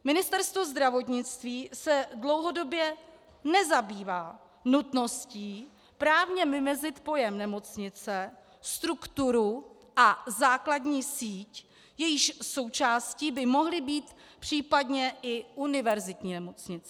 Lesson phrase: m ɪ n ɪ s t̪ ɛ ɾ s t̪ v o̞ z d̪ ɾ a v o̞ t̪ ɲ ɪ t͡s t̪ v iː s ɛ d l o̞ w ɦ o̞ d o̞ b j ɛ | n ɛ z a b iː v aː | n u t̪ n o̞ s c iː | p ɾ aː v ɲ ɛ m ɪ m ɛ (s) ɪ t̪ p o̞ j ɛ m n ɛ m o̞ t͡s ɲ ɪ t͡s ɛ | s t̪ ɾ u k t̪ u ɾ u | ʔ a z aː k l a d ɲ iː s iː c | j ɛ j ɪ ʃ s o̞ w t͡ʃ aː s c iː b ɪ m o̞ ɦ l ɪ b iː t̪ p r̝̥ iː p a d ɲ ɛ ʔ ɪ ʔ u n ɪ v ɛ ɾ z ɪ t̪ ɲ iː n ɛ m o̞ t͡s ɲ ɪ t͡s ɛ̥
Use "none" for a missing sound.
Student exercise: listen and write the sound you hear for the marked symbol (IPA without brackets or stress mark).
z